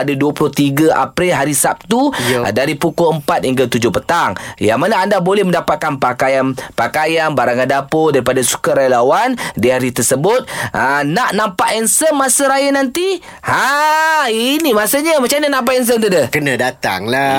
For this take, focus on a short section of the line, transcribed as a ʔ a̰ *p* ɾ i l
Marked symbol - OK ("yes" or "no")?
yes